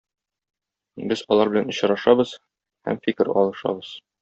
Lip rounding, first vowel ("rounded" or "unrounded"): unrounded